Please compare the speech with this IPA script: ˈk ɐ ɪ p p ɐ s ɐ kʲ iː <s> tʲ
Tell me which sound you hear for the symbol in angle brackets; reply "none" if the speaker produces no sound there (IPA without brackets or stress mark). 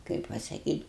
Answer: none